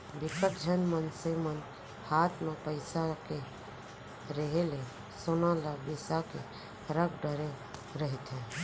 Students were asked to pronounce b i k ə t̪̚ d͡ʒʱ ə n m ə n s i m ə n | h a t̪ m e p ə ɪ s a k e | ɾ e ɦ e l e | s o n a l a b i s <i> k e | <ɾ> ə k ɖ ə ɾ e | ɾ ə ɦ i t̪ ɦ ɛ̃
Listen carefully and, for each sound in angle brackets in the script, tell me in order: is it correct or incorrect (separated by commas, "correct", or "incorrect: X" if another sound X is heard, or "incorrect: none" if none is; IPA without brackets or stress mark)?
incorrect: a, correct